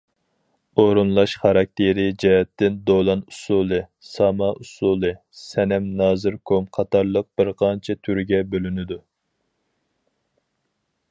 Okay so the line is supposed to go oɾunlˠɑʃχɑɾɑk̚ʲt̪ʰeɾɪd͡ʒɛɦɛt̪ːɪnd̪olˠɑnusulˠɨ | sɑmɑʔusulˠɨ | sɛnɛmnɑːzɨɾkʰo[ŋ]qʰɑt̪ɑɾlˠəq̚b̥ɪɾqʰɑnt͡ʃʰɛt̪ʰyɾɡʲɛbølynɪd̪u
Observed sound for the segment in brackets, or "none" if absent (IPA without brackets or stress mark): m